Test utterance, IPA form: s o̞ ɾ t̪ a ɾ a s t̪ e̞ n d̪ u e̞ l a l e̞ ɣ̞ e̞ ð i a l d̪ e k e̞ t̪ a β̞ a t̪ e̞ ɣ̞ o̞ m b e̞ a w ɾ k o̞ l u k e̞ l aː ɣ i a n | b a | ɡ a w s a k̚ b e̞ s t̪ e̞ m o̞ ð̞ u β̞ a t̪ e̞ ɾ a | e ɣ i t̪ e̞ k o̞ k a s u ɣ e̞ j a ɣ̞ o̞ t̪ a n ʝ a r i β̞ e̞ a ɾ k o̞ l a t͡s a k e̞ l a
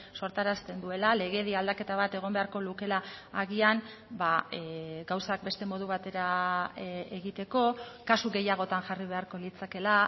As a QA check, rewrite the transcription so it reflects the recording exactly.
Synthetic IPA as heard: s o̞ ɾ t̪ a ɾ a s t̪ e̞ n d̪ u e̞ l a l e̞ ɣ̞ e̞ ð i a l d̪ a k e̞ t̪ a β̞ a t̪ e̞ ɣ̞ o̞ m b e̞ a ɾ k o̞ l u k e̞ l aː ɣ i a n | b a | ɡ a w s a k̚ b e̞ s t̪ e̞ m o̞ ð̞ u β̞ a t̪ e̞ ɾ a | e ɣ i t̪ e̞ k o̞ k a s u ɣ e̞ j a ɣ̞ o̞ t̪ a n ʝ a r i β̞ e̞ a ɾ k o̞ l i t͡s a k e̞ l a